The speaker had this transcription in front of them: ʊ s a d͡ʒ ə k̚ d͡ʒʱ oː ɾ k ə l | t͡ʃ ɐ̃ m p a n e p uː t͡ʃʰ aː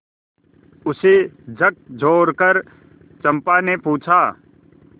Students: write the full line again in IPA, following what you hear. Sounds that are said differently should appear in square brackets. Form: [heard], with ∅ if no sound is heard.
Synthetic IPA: ʊ s [e] d͡ʒ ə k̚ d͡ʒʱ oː ɾ k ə [ɾ] | t͡ʃ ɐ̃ m p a n e p uː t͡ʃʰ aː